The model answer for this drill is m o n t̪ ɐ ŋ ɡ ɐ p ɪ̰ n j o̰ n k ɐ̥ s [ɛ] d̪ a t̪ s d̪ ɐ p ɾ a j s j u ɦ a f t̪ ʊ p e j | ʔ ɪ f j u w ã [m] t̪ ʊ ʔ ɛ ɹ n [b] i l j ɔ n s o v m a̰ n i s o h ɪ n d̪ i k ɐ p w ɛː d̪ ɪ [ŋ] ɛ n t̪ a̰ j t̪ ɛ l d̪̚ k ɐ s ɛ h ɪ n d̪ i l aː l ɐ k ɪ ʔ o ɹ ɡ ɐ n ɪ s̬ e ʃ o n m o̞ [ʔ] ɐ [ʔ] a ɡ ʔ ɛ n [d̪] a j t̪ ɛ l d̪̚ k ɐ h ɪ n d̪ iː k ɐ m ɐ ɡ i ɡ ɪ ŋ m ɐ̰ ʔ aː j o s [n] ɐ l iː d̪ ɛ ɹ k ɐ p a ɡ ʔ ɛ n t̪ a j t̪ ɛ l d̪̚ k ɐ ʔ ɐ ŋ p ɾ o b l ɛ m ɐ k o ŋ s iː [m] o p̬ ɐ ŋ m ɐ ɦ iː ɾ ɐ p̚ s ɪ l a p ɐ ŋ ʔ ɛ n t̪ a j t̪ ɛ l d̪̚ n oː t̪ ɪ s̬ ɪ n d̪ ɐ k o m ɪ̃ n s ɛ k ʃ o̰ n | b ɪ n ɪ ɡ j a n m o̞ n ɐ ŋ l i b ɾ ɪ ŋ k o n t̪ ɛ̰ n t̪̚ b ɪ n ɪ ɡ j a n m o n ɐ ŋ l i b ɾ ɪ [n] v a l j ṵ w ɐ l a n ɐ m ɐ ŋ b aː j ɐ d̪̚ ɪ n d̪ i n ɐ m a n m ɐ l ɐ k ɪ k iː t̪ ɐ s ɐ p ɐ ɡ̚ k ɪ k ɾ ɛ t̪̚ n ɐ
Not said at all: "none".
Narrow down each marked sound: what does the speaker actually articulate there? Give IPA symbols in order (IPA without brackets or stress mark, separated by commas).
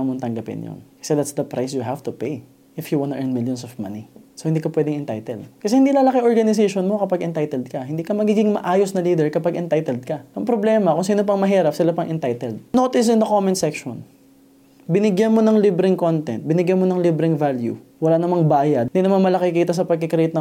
ɛ, n, m, ŋ, k, p, t̪, n, n, ŋ